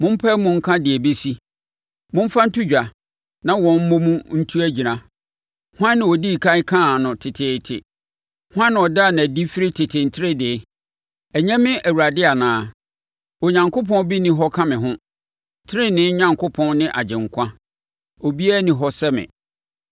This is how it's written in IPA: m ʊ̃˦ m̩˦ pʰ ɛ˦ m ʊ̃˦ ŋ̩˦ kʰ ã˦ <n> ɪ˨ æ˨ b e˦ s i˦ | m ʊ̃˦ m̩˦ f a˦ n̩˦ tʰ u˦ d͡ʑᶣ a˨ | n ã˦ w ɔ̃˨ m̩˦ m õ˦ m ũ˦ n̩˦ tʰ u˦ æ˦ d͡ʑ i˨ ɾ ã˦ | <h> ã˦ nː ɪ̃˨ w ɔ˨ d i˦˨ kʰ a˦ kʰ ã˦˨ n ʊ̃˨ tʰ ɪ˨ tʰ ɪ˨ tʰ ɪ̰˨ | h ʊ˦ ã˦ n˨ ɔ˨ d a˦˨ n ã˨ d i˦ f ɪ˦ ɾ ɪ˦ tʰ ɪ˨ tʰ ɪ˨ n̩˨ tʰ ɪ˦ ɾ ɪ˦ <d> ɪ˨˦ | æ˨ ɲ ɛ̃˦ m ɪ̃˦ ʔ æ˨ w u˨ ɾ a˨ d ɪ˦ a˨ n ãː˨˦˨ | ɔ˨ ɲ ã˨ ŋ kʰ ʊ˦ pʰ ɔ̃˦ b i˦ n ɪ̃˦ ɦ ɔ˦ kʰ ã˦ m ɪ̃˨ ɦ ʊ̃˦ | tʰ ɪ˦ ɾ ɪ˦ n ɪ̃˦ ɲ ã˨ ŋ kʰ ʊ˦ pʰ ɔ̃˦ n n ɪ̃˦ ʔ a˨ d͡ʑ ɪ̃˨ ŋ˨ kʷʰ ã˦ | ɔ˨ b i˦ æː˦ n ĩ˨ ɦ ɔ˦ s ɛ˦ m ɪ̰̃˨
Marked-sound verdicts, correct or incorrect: incorrect: d, correct, correct

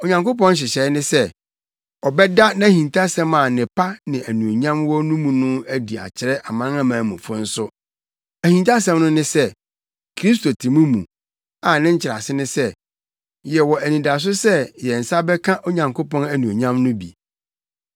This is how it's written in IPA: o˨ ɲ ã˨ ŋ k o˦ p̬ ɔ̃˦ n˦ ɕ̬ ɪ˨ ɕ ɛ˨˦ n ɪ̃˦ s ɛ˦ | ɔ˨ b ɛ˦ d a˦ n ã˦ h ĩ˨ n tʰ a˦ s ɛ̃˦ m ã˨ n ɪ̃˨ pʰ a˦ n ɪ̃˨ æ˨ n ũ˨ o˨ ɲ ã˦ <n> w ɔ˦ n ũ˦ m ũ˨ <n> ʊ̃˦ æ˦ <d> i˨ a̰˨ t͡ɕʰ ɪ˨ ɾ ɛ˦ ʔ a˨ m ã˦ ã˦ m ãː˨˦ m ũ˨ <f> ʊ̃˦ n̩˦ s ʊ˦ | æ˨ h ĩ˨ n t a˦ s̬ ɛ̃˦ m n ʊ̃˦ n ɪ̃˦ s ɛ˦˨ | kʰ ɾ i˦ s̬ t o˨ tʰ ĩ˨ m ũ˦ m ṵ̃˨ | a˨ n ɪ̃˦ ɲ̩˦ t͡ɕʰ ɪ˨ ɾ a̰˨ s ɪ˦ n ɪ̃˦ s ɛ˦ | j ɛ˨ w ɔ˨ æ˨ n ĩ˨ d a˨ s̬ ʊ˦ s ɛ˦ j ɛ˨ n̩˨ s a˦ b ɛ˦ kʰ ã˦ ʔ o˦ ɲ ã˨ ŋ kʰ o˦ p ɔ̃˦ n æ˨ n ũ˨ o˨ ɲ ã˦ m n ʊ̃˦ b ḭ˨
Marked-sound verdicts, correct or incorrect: incorrect: m, correct, correct, correct

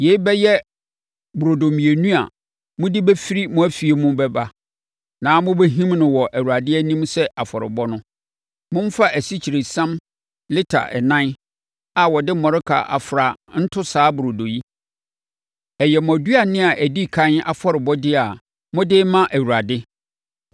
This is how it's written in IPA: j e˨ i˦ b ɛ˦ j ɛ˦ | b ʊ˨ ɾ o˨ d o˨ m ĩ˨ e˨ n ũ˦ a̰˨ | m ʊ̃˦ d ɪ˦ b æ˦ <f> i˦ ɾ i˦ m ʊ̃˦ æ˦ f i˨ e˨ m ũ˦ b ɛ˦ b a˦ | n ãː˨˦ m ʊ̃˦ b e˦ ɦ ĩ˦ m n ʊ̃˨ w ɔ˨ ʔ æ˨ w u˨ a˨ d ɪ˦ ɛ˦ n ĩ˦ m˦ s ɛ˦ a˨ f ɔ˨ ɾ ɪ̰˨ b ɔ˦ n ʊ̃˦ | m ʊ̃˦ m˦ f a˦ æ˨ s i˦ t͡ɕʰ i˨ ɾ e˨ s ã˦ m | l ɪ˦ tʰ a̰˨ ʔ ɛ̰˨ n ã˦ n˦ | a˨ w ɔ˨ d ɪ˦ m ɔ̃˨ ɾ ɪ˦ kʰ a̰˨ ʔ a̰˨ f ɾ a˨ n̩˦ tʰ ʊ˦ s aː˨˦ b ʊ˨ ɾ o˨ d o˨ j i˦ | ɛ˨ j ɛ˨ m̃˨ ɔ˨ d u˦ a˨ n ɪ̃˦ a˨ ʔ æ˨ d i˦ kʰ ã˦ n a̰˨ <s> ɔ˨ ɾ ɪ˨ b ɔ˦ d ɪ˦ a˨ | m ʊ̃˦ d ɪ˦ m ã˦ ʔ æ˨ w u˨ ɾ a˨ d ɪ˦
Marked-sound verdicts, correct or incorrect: correct, incorrect: f

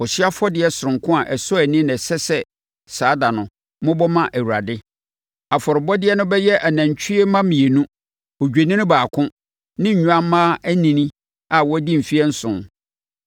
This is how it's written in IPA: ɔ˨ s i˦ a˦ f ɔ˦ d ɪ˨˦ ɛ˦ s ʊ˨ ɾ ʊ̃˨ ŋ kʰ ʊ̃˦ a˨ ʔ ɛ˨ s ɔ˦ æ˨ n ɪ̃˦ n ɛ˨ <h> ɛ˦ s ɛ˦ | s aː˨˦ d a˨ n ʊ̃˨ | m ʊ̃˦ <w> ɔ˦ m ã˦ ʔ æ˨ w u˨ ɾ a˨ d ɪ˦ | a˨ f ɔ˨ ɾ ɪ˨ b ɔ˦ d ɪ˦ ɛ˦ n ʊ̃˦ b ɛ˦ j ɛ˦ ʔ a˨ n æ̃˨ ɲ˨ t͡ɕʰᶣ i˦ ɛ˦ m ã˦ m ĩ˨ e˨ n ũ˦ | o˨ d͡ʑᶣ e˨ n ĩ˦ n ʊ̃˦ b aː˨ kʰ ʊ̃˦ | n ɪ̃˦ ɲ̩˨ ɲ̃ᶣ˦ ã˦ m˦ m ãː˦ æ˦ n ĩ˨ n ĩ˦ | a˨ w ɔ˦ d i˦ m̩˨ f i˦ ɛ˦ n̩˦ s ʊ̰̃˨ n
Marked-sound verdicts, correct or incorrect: incorrect: s, incorrect: b

